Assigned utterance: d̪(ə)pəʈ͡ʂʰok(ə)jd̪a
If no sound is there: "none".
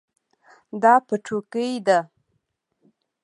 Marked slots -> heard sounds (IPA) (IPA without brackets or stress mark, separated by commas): ɑ, ə